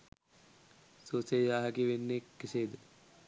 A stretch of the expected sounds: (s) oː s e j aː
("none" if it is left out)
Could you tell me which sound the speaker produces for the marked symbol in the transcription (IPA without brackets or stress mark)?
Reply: s